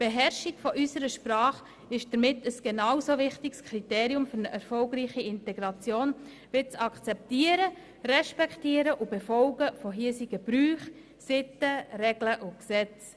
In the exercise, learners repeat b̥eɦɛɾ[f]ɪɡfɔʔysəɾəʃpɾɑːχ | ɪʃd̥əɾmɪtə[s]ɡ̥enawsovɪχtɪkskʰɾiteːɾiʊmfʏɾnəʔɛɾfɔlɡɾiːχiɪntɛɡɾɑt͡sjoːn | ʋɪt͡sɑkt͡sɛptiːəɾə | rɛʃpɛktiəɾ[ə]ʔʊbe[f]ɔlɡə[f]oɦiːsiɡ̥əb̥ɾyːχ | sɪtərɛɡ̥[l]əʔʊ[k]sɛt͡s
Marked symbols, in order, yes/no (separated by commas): no, yes, yes, yes, yes, yes, yes